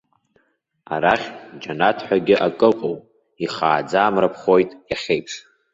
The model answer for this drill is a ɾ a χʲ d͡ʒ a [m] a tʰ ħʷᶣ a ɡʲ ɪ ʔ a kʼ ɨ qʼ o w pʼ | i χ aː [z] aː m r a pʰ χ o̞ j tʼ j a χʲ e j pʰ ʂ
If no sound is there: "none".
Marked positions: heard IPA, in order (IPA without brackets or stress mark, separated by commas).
n, d͡z